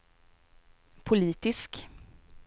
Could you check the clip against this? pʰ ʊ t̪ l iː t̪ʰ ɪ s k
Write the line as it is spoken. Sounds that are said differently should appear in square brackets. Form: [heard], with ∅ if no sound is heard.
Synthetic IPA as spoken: pʰ ʊ [∅] l iː [t̪] ɪ s k

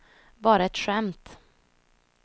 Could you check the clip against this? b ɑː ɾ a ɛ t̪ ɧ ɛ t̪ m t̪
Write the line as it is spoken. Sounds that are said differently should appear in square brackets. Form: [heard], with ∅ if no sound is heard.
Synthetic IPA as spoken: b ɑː ɾ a ɛ t̪ ɧ ɛ [∅] m t̪

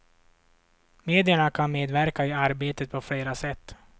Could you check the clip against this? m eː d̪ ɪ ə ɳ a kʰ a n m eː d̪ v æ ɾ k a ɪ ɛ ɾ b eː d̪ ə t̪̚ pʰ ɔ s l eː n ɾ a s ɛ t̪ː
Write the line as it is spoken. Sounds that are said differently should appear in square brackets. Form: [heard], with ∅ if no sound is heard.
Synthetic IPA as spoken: m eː d̪ ɪ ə ɳ a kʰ a n m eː d̪ v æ ɾ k a ɪ [a] ɾ b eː [t̪] ə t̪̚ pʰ ɔ [f] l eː [∅] ɾ a s ɛ t̪ː

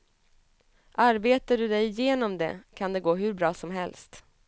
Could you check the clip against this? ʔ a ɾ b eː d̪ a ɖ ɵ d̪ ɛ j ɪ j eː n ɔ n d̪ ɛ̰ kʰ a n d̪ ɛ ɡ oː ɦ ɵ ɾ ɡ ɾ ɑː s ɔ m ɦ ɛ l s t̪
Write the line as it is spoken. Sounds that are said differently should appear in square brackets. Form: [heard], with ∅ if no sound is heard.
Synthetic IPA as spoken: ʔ a ɾ b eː [t̪] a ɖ ɵ d̪ ɛ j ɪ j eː n ɔ [m] d̪ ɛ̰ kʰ a n d̪ ɛ ɡ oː ɦ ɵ ɾ [b] ɾ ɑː s ɔ m ɦ ɛ l s t̪

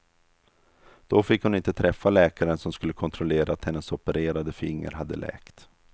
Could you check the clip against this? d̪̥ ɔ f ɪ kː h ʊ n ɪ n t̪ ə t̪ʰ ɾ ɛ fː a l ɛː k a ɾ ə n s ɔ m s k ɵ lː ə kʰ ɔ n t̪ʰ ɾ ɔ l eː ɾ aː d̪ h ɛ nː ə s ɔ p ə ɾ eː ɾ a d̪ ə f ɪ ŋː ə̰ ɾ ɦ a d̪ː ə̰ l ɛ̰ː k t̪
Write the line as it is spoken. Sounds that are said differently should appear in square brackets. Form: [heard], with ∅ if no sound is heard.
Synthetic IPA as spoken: d̪̥ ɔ f ɪ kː h ʊ n ɪ n t̪ ə t̪ʰ ɾ ɛ fː a l ɛː k a ɾ ə n s ɔ m s k ɵ lː ə kʰ ɔ n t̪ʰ ɾ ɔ l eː ɾ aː [t̪] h ɛ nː ə s ɔ p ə ɾ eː ɾ a d̪ ə f ɪ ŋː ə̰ ɾ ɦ a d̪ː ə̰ l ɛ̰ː k t̪

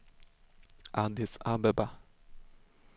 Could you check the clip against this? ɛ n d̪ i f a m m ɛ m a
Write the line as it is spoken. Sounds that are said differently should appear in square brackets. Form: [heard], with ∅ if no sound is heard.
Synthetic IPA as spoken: [a] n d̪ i [s] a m [b] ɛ [b] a

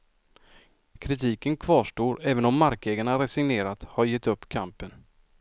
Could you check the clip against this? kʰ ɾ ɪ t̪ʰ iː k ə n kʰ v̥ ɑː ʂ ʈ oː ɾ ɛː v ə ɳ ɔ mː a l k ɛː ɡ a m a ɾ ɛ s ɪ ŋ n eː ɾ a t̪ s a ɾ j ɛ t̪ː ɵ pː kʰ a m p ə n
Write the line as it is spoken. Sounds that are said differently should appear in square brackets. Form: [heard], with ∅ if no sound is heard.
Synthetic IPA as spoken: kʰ ɾ ɪ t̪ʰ iː k ə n kʰ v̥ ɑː ʂ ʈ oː ɾ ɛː v ə [n] ɔ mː a [ɾ] k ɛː ɡ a [ɳ] a ɾ ɛ s ɪ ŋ n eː ɾ a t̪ [h] a ɾ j ɛ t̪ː ɵ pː kʰ a m p ə n

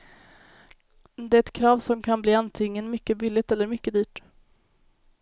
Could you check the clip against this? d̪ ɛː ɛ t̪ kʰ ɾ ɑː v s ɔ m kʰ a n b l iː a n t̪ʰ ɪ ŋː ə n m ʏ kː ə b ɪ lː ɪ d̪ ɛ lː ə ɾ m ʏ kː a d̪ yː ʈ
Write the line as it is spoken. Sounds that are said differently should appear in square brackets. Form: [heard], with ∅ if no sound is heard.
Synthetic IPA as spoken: d̪ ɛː ɛ t̪ kʰ ɾ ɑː v s ɔ m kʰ a n b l iː a n t̪ʰ ɪ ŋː ə n m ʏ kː ə b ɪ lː ɪ [t̪] ɛ lː ə ɾ m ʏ kː [ə] d̪ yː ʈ

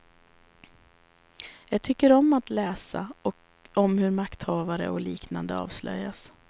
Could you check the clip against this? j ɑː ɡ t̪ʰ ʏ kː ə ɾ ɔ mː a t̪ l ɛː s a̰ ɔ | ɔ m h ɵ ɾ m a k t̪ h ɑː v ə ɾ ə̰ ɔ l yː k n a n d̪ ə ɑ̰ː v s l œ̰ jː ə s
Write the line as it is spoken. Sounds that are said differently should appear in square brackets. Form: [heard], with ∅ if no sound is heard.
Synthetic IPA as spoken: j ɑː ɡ t̪ʰ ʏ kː ə ɾ ɔ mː a t̪ l ɛː s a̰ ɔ | ɔ m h ɵ ɾ m a k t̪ h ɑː v [a] ɾ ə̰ ɔ l [iː] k n a n d̪ ə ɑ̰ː v s l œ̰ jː [a] s

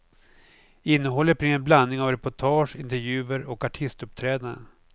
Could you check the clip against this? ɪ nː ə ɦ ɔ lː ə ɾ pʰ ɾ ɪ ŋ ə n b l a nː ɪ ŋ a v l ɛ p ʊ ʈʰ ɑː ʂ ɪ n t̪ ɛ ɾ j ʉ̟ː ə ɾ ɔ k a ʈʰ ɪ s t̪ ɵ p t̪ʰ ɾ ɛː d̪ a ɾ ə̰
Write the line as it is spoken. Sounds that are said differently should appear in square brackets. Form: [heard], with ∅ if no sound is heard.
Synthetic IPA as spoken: ɪ nː ə ɦ ɔ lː ə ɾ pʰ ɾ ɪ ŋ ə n b l a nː ɪ ŋ a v [ɾ] ɛ p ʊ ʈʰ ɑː ʂ ɪ n t̪ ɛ ɾ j ʉ̟ː ə ɾ ɔ k a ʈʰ ɪ s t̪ ɵ p t̪ʰ ɾ ɛː d̪ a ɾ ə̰

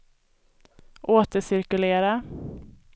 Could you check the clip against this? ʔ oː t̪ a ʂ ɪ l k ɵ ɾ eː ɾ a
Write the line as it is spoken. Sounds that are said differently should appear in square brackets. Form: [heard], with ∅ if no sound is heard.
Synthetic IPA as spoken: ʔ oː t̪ [ə] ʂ ɪ [ɾ] k ɵ [l] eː ɾ a

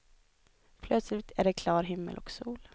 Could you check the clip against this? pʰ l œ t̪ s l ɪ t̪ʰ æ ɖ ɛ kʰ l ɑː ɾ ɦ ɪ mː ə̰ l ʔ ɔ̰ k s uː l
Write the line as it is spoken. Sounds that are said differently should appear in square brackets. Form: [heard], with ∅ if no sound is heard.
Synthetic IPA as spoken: pʰ l œ t̪ s l ɪ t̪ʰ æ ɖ ɛ kʰ l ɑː ɾ ɦ ɪ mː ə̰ l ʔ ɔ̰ k s uː l

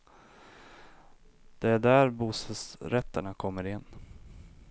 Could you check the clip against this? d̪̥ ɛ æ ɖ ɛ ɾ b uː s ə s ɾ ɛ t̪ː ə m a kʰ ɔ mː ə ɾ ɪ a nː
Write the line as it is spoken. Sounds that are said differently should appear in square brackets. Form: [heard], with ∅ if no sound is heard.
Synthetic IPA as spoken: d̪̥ ɛ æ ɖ [æ] ɾ b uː s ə s ɾ ɛ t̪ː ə [ɳ] a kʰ ɔ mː ə ɾ ɪ [ɛ] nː

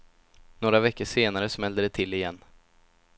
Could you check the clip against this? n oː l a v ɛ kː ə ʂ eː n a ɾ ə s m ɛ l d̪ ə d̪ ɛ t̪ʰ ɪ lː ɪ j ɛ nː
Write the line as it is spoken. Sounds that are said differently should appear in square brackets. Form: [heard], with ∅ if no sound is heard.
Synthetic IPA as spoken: n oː [ɾ] a v ɛ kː ə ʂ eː n a ɾ ə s m ɛ l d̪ ə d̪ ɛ t̪ʰ ɪ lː ɪ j ɛ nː

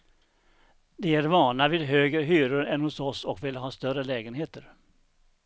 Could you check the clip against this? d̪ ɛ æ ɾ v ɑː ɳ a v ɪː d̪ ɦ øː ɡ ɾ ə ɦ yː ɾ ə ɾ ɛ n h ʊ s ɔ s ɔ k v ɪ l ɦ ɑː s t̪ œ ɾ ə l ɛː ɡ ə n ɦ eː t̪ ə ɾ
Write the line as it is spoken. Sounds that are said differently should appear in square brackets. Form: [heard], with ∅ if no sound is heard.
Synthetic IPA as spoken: d̪ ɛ æ ɾ v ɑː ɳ a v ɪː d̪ ɦ øː ɡ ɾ ə ɦ yː ɾ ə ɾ ɛ n h ʊ s ɔ s ɔ k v ɪ l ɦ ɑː s t̪ œ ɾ ə l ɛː ɡ ə n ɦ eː t̪ ə ɾ

